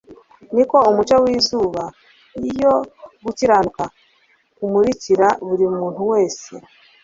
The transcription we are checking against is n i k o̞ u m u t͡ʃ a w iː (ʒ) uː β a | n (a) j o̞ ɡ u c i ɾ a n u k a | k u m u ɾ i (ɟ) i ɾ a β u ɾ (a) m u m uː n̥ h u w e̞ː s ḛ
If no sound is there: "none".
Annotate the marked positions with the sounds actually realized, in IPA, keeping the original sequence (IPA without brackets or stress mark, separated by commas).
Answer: z, i, c, i